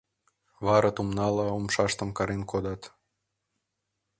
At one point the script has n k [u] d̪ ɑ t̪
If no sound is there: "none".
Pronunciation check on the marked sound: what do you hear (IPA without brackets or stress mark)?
o